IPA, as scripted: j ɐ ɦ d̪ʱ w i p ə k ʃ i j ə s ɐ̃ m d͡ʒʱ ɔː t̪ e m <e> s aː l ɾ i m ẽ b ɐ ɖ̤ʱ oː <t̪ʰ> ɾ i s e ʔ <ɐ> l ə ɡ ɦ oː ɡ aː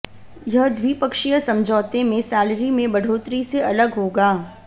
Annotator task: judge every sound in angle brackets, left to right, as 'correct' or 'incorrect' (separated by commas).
incorrect, incorrect, correct